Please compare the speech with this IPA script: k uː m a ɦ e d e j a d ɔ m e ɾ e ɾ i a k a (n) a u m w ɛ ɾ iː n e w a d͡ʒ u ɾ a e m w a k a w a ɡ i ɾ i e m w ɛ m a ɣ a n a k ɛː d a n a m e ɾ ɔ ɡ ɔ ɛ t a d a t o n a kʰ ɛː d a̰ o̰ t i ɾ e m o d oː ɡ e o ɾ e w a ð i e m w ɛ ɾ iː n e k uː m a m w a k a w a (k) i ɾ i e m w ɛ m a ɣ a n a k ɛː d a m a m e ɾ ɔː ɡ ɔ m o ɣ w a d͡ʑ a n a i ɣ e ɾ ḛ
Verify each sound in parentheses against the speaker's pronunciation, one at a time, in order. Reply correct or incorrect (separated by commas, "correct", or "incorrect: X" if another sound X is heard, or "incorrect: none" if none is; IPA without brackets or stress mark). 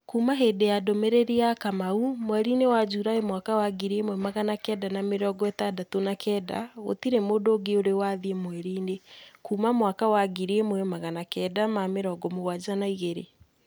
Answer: incorrect: m, incorrect: ɡ